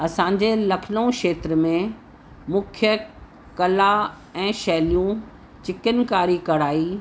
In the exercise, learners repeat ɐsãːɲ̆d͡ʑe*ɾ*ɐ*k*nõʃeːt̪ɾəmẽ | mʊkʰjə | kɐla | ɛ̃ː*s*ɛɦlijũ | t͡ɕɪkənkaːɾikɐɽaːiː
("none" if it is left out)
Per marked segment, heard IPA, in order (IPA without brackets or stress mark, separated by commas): l, kʰ, ʃ